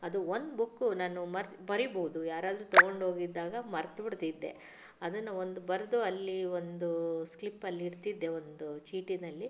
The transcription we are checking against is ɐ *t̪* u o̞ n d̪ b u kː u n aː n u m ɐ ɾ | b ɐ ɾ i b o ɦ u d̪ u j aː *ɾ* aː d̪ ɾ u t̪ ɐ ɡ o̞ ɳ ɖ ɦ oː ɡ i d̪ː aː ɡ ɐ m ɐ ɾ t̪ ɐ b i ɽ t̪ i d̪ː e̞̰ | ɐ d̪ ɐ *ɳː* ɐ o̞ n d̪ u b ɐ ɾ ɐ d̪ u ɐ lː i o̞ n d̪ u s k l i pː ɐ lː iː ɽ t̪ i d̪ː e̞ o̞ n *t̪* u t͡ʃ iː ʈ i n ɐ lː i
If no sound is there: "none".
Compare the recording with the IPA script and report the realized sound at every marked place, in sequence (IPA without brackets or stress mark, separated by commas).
d̪, ɾ, nː, d̪